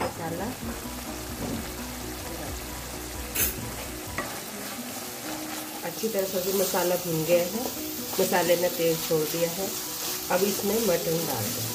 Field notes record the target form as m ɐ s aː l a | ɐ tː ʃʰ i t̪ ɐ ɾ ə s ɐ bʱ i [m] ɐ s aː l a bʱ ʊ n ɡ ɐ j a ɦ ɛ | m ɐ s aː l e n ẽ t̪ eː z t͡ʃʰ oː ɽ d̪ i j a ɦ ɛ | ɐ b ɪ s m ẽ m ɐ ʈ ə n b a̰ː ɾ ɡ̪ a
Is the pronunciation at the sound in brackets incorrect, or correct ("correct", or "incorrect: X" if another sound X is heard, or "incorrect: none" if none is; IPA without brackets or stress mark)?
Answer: correct